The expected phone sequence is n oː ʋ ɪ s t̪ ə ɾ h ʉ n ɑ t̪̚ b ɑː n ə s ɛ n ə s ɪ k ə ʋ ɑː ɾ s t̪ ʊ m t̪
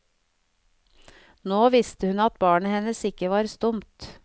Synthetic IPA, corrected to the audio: n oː ʋ ɪ s t̪ ə h ʉ n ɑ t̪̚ b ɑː ɳ ə h ɛ n ə s ɪ k ə ʋ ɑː ɾ s t̪ ʊ m t̪